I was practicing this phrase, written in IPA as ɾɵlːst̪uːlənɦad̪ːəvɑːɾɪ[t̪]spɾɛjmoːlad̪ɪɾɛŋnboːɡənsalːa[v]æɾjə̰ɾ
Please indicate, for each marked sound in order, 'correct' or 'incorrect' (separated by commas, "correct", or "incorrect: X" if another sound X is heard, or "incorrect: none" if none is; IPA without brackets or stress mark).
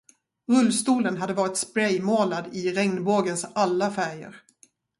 correct, incorrect: f